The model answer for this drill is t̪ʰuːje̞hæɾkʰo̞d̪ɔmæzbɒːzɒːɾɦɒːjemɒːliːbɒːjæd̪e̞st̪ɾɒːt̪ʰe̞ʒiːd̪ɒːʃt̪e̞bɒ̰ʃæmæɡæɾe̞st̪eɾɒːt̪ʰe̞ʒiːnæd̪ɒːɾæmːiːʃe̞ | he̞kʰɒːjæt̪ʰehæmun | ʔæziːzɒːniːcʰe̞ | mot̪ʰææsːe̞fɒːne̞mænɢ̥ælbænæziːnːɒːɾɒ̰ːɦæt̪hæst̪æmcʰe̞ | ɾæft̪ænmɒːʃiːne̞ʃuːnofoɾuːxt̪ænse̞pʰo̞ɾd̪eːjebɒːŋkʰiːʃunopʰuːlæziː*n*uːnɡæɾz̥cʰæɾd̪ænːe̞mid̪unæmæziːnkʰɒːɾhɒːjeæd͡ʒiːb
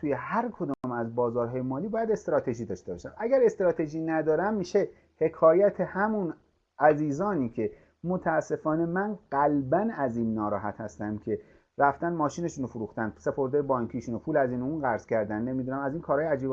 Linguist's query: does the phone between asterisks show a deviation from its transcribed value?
no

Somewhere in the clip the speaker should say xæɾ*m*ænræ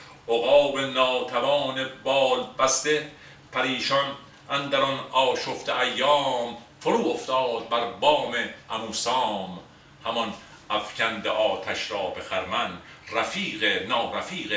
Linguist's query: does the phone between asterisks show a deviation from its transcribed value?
no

